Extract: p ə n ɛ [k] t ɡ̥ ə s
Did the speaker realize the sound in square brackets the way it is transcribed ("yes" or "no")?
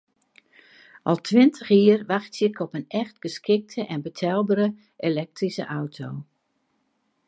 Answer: no